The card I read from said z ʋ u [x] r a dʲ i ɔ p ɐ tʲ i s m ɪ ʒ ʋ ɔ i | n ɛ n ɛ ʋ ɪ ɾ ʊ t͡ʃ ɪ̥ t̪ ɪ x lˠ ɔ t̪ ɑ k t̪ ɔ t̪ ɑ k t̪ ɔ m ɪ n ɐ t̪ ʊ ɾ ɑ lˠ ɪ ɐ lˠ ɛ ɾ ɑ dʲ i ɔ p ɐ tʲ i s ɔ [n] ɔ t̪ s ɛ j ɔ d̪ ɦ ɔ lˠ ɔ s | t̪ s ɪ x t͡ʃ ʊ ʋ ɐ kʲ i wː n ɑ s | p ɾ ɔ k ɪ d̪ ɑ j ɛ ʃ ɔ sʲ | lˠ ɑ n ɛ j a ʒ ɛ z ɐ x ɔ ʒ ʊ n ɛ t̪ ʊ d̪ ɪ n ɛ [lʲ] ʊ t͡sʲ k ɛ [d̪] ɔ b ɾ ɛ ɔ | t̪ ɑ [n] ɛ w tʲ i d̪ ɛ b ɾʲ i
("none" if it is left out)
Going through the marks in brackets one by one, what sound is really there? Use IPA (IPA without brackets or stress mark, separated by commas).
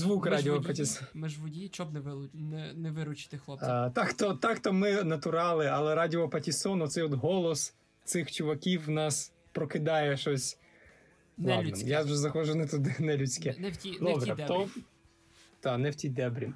k, n, lʲ, d̪, n